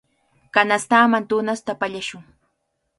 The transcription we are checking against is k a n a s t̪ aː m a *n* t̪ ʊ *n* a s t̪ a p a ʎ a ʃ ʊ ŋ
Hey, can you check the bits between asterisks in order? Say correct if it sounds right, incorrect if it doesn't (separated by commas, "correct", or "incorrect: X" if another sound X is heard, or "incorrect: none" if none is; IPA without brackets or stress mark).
correct, correct